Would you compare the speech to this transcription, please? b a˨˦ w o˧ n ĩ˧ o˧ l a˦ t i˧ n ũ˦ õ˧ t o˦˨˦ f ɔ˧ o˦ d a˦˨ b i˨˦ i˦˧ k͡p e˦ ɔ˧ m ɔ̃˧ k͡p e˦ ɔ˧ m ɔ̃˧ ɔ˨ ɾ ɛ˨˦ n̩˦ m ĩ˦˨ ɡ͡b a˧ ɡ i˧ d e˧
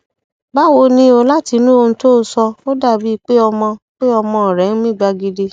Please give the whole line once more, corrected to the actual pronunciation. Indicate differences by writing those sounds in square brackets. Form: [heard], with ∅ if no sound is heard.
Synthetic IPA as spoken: b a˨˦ w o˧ n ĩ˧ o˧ l a˦ t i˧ n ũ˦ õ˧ t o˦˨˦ [s] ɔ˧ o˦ d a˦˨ b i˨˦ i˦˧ k͡p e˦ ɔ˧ m ɔ̃˧ k͡p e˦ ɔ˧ m ɔ̃˧ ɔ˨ ɾ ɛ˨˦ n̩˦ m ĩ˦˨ ɡ͡b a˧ ɡ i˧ d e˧